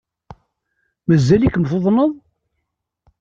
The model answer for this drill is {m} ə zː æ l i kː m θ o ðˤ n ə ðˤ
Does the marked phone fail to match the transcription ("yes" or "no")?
no